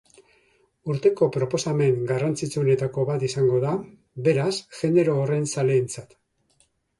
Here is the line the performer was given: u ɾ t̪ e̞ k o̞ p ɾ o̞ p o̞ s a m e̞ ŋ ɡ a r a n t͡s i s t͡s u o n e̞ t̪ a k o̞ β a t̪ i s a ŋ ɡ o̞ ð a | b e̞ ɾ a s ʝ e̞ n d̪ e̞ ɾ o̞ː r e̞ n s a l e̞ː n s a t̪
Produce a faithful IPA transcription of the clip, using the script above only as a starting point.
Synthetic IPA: u ɾ t̪ e̞ k o̞ p ɾ o̞ p o̞ s a m e̞ ŋ ɡ a r a n t͡s i t͡s u o n e̞ t̪ a k o̞ β a t̪ i s a ŋ ɡ o̞ ð a | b e̞ ɾ a s ʝ e̞ n d̪ e̞ ɾ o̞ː r e̞ n s a l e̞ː n t͡s a t̪